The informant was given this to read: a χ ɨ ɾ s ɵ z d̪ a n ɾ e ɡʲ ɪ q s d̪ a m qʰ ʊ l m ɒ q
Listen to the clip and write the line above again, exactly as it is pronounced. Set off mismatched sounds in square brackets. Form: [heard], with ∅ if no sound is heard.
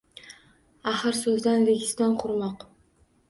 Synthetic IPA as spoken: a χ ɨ ɾ s ɵ z d̪ a n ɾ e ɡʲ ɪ [∅] s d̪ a [n] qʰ ʊ [ɾ] m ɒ q